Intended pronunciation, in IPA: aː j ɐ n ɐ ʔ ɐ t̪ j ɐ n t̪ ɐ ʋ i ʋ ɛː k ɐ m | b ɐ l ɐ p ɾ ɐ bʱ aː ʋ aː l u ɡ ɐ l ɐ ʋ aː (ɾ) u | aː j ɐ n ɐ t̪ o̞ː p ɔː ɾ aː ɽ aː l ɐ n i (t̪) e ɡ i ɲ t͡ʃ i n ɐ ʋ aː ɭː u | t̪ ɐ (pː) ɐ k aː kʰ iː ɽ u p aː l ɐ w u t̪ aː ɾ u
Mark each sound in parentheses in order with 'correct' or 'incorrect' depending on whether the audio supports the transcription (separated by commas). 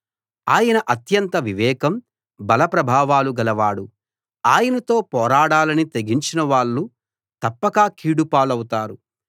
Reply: incorrect, correct, correct